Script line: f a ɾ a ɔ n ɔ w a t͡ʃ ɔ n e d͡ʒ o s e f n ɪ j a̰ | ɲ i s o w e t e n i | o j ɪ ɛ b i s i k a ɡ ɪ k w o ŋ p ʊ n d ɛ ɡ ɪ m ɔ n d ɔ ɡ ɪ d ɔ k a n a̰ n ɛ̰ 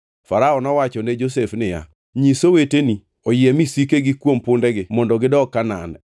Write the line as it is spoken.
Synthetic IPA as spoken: f a ɾ a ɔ n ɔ w a t͡ʃ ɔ n e d͡ʒ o s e f n ɪ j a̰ | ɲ i s o w e t e n i | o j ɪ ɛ m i s i k e ɡ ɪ k w o m p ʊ n d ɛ ɡ ɪ m ɔ n d ɔ ɡ ɪ d ɔ k a n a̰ n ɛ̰